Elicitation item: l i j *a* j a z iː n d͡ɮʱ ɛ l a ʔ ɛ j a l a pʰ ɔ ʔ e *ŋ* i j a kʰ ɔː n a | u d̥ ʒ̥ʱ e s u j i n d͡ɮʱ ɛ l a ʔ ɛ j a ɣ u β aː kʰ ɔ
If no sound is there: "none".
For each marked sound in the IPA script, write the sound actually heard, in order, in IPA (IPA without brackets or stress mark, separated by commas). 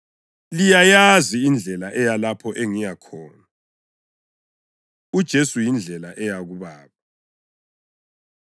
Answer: a, ŋ